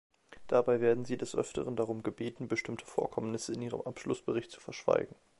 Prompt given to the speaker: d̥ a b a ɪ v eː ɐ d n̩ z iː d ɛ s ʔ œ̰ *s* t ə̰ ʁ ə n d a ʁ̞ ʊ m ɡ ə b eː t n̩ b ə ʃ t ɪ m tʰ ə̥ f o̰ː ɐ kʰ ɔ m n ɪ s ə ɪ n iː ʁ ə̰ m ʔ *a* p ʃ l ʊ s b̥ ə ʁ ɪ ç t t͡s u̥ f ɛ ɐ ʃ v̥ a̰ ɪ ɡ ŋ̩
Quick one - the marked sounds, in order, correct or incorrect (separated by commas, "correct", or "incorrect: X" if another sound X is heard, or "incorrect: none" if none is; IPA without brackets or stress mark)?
incorrect: f, correct